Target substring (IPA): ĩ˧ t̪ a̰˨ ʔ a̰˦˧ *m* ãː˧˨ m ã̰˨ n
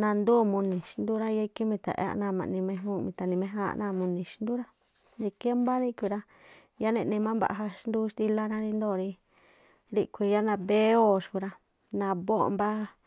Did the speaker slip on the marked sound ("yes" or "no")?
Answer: yes